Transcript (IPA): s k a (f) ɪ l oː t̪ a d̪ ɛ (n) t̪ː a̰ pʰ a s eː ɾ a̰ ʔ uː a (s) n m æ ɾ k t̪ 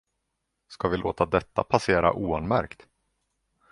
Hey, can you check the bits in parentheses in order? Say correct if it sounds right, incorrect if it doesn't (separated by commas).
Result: incorrect, incorrect, incorrect